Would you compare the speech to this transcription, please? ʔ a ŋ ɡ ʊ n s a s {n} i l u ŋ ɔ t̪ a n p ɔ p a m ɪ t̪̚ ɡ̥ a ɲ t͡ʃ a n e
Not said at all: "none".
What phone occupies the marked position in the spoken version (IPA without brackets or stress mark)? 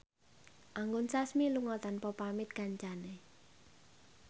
m